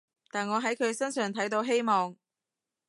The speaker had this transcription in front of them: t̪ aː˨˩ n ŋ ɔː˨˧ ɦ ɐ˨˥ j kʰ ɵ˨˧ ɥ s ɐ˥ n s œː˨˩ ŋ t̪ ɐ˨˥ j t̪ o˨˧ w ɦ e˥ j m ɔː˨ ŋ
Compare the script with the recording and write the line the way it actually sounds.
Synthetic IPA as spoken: t̪ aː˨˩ n ŋ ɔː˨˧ ɦ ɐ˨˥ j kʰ ɵ˨˧ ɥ s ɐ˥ n s œː˨˩ ŋ t̪ʰ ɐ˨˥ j t̪ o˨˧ w ɦ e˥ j m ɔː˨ ŋ

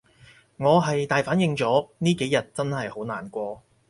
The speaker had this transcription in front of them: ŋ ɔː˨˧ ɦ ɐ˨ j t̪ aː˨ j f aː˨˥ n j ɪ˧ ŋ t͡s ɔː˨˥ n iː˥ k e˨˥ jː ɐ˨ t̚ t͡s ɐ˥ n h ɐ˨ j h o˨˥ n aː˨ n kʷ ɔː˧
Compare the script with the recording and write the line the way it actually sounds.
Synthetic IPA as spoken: ŋ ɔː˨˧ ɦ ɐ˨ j t̪ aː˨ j f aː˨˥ n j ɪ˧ ŋ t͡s ɔː˨˥ n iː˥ k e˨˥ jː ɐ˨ t̚ t͡s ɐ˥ n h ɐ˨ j h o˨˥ n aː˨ n kʷ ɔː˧

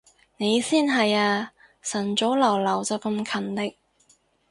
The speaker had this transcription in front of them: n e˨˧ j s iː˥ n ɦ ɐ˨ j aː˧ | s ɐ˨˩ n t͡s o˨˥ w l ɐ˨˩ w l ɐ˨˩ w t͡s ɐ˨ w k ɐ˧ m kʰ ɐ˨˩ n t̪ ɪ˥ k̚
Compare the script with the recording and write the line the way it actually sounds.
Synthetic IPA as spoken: n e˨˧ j s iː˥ n ɦ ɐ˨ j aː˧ | s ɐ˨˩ n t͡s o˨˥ w l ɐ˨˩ w l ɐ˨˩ w t͡s ɐ˨ w k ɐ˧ m kʰ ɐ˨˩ n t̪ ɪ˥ k̚

